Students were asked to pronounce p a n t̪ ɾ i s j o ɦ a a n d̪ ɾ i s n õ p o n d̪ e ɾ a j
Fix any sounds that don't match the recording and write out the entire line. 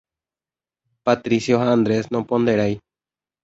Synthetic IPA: p a t̪ ɾ i s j o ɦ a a n d̪ ɾ e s n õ p o n d̪ e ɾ a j